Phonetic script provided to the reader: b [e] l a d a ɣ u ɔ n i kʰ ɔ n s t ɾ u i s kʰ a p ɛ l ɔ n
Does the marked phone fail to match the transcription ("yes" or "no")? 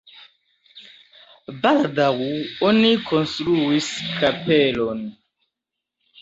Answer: yes